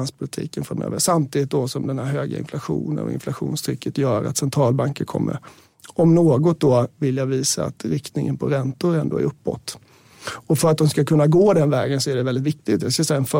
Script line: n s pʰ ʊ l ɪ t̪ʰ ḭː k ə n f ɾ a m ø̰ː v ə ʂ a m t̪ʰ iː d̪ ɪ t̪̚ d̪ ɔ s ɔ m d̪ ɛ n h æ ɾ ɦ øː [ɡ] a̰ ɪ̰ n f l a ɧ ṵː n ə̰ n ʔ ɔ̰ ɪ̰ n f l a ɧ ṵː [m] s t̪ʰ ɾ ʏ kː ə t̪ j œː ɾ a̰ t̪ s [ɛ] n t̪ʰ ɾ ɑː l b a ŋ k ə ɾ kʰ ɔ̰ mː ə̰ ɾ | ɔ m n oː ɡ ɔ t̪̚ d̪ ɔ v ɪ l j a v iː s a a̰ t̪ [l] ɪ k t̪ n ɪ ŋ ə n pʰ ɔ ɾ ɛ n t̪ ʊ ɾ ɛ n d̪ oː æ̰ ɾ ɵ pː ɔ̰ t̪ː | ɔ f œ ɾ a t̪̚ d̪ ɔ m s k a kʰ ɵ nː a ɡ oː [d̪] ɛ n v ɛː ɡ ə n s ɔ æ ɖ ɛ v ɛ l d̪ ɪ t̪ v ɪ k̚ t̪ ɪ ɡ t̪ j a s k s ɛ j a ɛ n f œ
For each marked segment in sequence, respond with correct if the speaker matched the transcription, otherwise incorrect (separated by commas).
correct, incorrect, correct, incorrect, correct